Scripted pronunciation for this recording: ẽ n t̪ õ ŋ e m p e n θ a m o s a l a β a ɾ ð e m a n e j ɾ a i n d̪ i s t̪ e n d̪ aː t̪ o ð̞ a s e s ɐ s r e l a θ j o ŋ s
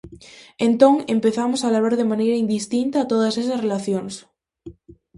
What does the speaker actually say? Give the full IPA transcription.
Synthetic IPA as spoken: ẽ n t̪ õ ŋ e m p e θ a m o s a l a β a ɾ ð e m a n e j ɾ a i n d̪ i s t̪ i n t̪ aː t̪ o ð̞ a s e s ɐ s r e l a θ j o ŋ s